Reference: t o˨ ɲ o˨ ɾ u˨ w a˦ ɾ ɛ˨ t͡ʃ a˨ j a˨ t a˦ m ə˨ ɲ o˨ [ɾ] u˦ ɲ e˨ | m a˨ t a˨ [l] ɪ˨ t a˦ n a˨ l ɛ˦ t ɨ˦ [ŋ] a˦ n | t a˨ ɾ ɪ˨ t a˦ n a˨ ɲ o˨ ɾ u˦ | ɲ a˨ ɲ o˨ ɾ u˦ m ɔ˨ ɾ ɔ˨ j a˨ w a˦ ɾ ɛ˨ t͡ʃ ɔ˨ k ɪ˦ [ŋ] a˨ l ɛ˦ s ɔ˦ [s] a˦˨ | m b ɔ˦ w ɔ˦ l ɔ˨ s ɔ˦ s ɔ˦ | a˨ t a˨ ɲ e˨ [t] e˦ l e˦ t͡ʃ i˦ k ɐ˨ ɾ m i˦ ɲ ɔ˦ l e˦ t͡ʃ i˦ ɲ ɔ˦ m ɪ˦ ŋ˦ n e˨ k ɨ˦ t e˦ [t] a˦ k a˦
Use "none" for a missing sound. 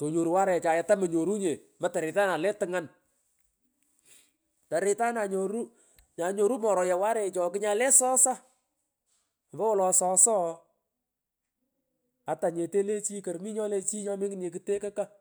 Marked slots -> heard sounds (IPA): ɾ, ɾ, ŋ, ɲ, s, t, k

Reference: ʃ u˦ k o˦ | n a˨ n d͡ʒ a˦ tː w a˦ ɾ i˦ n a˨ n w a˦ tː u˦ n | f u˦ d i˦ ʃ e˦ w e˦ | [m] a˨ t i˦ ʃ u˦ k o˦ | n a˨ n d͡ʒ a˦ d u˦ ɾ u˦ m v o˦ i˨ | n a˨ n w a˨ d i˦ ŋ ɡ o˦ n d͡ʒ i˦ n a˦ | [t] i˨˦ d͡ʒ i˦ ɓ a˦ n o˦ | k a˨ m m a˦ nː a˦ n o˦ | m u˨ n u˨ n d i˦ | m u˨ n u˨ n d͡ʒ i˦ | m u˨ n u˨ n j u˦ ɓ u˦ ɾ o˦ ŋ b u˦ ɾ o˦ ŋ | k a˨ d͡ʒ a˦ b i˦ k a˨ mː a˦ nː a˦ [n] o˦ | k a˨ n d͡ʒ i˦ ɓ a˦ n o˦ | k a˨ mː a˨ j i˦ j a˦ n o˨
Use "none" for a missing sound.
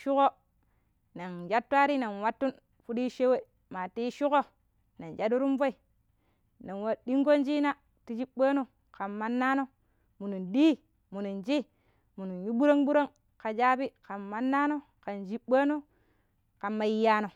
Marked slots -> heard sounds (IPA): m, t, n

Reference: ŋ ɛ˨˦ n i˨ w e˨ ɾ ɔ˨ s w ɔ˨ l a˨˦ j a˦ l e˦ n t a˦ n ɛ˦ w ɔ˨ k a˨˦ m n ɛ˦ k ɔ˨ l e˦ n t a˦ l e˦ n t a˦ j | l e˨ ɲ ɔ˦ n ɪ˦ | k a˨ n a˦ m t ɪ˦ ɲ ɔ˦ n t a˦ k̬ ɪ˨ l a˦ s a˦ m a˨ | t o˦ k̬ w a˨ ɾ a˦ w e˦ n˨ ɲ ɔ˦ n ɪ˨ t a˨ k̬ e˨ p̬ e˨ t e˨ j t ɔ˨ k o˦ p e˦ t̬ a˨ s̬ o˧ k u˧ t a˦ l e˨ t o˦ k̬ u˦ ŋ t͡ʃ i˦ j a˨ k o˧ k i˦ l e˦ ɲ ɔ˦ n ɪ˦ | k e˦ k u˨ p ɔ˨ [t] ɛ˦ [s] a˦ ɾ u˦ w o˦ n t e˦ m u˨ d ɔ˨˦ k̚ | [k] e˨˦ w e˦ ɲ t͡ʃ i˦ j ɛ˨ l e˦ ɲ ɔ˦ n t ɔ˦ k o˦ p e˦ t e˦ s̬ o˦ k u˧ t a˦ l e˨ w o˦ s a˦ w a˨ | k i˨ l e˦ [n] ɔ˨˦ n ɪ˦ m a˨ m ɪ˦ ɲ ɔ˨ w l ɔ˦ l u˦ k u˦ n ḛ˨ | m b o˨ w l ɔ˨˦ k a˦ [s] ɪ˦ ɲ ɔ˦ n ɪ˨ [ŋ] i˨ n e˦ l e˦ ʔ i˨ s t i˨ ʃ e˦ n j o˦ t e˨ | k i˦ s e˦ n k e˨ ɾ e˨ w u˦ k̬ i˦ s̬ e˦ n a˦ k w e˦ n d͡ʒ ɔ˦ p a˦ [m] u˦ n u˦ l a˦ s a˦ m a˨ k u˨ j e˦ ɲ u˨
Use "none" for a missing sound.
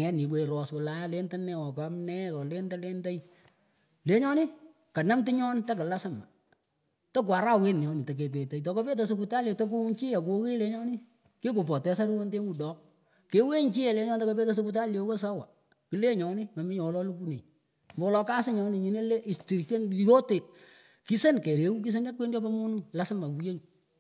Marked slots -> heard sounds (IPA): t, s, k, ɲ, s, ɲ, m

